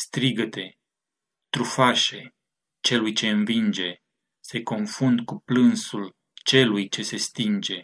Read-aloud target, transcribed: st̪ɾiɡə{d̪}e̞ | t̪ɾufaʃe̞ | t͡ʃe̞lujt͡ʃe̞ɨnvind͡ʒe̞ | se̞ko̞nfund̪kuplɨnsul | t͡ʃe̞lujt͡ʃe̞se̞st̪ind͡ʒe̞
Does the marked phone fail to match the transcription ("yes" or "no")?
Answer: yes